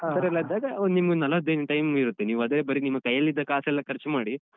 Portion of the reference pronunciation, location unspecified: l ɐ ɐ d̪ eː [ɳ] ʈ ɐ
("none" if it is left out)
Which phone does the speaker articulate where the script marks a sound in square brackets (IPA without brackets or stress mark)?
n